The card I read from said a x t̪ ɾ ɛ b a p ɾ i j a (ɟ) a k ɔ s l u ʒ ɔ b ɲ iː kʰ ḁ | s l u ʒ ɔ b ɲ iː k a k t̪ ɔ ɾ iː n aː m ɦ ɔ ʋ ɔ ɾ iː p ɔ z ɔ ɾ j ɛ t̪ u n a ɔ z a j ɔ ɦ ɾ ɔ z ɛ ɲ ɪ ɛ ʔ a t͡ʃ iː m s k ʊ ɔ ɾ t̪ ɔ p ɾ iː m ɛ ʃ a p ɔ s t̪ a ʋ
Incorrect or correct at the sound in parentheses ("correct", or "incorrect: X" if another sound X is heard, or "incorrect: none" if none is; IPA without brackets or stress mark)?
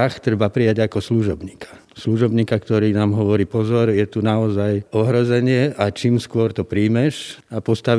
correct